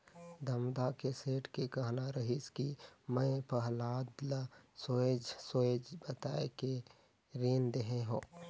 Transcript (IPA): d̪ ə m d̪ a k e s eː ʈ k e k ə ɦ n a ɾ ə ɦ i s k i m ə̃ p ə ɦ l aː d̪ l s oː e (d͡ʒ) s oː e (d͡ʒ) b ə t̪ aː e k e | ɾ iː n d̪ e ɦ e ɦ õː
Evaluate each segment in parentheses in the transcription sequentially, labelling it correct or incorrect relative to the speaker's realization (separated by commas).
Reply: correct, correct